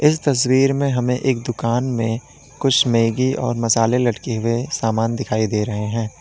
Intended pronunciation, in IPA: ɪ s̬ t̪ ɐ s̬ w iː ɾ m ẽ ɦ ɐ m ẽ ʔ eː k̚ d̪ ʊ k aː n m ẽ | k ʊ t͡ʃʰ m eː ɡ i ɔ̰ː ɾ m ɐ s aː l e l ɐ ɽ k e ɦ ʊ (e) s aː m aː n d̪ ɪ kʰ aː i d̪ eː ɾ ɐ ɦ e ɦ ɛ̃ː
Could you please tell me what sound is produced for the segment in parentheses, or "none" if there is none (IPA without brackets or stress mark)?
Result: e